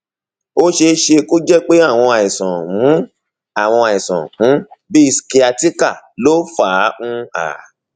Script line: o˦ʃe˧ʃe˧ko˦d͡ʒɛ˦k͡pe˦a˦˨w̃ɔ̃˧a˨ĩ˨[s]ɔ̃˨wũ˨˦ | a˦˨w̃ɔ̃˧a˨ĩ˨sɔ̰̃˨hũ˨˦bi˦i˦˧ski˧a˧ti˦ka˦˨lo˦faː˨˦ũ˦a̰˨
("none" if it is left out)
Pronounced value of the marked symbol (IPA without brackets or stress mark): s